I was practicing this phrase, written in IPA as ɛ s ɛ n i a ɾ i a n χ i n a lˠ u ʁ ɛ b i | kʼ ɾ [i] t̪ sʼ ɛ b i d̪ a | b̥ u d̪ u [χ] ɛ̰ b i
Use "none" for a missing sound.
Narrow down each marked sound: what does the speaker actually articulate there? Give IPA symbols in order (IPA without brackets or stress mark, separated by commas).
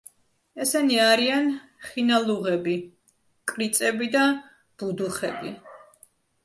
i, χ